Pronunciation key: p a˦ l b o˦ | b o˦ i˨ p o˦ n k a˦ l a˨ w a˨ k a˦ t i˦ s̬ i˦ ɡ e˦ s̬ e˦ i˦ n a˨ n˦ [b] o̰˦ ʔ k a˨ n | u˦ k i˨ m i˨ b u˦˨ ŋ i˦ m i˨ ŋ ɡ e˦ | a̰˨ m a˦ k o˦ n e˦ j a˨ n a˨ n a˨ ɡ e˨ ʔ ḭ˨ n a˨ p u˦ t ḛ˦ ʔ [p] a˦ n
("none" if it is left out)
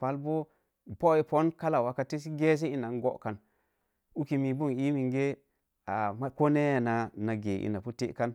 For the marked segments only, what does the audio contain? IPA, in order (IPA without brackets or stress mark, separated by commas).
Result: ɡ, k